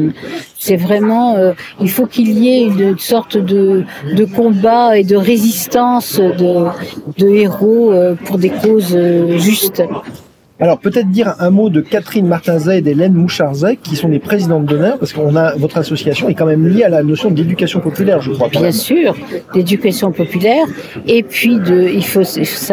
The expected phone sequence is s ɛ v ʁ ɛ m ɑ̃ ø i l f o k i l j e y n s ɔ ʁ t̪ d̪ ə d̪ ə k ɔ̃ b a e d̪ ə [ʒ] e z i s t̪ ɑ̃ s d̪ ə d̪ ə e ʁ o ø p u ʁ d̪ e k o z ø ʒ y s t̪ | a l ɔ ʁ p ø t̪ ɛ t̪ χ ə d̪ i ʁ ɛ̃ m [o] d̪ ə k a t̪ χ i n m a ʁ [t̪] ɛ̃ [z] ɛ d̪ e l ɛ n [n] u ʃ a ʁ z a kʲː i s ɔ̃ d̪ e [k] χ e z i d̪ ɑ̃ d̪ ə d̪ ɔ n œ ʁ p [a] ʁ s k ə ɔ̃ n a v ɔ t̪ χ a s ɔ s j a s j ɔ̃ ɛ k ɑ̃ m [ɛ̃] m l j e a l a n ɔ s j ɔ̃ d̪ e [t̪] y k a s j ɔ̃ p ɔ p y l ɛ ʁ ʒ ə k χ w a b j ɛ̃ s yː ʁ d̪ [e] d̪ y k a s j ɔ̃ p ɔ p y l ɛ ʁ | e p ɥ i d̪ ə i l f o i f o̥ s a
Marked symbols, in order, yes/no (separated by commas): no, yes, yes, yes, no, no, yes, no, no, yes